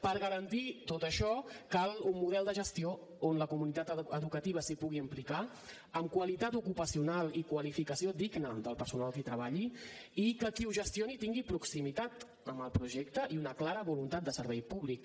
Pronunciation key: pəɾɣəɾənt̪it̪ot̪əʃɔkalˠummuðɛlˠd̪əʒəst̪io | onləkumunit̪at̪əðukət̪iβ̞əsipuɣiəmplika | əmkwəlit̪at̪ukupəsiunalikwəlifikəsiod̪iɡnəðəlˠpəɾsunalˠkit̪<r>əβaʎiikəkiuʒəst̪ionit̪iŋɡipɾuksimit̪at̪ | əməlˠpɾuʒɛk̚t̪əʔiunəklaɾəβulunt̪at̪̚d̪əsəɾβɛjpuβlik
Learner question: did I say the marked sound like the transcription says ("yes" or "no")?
no